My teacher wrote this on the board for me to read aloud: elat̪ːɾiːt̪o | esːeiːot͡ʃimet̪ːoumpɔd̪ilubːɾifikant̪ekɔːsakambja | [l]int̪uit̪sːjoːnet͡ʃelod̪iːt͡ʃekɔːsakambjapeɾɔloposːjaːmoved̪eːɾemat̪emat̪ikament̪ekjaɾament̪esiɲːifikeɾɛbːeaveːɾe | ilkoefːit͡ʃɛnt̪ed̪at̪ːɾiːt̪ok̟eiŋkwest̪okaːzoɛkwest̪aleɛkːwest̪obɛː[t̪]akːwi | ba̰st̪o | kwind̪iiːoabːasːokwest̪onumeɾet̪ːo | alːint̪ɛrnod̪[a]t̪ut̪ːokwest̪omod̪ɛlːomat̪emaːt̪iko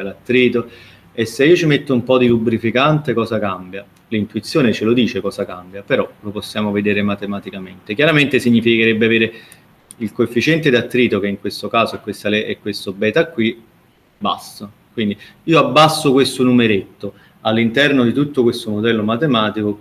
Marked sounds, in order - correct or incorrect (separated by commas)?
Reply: correct, correct, incorrect